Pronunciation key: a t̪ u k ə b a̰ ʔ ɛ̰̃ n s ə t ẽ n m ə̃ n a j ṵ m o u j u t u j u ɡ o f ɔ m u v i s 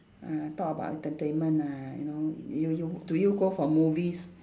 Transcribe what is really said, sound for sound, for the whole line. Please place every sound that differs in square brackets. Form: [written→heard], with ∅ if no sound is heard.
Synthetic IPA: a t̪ [u→ɔ] k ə b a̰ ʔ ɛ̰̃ n [s→t] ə t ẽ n m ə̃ n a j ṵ [m→n] o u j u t u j u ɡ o f ɔ m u v i s